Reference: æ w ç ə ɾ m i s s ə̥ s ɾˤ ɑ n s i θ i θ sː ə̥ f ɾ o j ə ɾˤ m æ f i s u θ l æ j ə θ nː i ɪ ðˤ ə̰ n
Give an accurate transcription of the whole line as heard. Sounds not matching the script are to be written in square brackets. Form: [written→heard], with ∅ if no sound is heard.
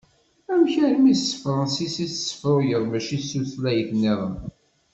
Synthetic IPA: æ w ç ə ɾ m i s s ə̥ [s→f] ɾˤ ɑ n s i [θ→s] i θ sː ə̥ f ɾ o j ə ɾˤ m æ [f→ʃ] i s u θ l æ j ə θ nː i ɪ ðˤ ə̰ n

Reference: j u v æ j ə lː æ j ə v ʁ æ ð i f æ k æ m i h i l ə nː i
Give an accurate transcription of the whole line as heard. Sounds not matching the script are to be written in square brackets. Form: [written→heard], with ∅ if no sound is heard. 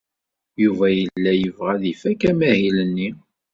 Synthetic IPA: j u v æ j ə lː æ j ə v ʁ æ ð i f æ k æ m [i→æ] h i l ə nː i

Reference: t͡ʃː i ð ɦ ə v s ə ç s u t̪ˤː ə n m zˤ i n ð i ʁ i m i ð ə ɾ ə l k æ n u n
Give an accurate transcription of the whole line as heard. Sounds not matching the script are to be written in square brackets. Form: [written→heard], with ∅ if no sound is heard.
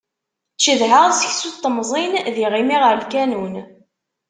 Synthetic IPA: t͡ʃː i ð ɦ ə [v→ʁ] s ə ç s u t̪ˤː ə [n→∅] m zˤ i n ð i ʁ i m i [ð→ʁ] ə ɾ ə l k æ n u n

